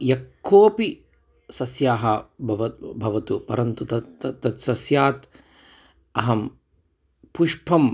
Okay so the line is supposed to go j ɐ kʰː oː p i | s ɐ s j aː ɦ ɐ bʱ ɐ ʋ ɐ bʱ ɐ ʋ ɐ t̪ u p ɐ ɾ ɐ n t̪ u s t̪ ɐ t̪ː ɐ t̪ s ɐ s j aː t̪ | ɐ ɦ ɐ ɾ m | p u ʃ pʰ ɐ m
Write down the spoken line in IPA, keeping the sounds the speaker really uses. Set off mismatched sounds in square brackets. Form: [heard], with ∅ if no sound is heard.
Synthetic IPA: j ɐ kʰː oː p i | s ɐ s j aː ɦ ɐ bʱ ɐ ʋ ɐ bʱ ɐ ʋ ɐ t̪ u p ɐ ɾ ɐ n t̪ u [∅] t̪ ɐ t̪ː ɐ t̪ s ɐ s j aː t̪ | ɐ ɦ ɐ [∅] m | p u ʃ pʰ ɐ m